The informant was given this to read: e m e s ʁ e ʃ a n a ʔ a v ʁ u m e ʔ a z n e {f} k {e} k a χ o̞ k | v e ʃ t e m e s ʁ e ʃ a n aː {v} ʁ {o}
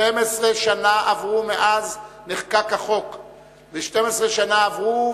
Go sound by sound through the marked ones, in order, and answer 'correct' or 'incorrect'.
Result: incorrect: χ, incorrect: a, correct, incorrect: u

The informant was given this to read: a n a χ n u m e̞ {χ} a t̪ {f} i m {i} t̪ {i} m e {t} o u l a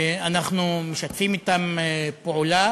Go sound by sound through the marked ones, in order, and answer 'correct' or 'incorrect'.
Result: incorrect: ʃ, correct, correct, incorrect: a, incorrect: p

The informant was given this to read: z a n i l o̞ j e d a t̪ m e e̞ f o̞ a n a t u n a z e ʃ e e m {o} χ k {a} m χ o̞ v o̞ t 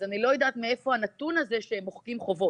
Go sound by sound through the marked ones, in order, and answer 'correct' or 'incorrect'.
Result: correct, incorrect: i

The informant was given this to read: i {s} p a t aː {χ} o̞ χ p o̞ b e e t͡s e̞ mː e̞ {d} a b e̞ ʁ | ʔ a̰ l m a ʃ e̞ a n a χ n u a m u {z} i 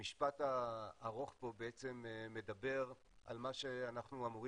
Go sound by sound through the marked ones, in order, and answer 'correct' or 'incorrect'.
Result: incorrect: ʃ, incorrect: ʁ, correct, incorrect: ʁ

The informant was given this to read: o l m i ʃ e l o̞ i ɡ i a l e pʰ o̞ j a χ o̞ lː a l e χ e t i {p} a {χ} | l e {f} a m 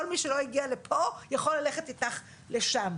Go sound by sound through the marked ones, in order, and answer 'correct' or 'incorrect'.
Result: incorrect: t, correct, incorrect: ʃ

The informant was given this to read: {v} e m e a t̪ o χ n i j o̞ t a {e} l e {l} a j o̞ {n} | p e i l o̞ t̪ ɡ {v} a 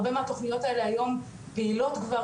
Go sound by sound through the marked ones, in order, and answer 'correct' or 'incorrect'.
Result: incorrect: b, correct, incorrect: none, incorrect: m, correct

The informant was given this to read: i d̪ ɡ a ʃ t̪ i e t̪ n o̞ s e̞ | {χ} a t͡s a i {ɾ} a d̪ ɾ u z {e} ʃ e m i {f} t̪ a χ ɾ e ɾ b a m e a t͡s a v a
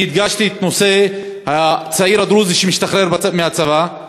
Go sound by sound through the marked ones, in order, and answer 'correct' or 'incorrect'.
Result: incorrect: h, correct, incorrect: i, incorrect: ʃ

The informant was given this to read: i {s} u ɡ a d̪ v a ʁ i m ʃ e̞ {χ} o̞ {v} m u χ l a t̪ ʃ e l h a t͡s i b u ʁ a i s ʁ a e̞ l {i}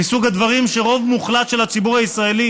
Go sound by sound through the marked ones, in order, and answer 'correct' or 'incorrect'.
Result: correct, incorrect: ʁ, correct, correct

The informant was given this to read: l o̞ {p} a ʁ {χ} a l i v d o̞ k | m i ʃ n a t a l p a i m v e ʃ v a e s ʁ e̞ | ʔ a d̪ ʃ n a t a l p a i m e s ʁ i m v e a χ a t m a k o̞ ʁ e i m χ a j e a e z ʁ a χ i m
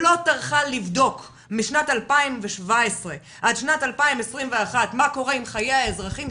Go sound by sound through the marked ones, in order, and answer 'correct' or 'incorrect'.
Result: incorrect: t, correct

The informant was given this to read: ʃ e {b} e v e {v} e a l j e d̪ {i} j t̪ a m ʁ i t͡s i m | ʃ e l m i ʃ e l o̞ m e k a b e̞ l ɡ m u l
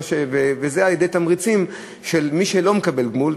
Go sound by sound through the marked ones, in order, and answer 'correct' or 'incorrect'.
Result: incorrect: v, incorrect: z, incorrect: e

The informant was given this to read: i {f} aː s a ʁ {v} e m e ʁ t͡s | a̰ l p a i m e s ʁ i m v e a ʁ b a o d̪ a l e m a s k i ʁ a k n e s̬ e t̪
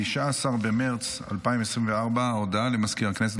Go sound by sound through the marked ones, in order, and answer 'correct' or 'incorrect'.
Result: incorrect: ʃ, incorrect: b

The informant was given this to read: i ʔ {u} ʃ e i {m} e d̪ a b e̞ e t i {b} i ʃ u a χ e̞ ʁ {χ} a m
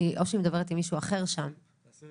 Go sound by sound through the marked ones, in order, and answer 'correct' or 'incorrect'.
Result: incorrect: o, correct, incorrect: m, incorrect: ʃ

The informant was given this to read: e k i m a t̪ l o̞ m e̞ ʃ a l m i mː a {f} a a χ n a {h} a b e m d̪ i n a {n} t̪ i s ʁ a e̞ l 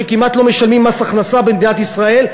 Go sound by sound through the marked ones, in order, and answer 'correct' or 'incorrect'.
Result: incorrect: s, incorrect: s, incorrect: none

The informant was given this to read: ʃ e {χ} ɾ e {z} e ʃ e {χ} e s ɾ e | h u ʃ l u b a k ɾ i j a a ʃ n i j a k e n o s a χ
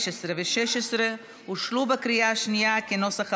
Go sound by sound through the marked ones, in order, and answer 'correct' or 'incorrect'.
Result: incorrect: s, incorrect: v, incorrect: ʃ

